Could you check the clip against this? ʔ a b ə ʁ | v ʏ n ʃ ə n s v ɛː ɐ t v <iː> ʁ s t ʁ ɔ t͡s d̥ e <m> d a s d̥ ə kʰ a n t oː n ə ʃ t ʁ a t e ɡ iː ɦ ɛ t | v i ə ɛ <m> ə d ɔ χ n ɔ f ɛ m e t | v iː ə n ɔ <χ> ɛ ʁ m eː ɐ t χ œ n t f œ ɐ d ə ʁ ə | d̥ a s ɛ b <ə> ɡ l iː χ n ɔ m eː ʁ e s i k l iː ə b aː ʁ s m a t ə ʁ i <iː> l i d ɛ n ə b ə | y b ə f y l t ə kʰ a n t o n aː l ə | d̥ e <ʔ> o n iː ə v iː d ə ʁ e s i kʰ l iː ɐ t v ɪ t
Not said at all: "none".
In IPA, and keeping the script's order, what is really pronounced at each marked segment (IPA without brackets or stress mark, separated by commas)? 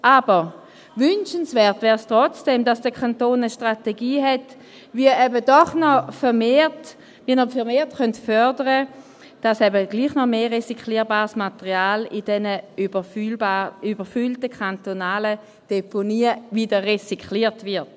ɛː, m, b, f, ə, aː, p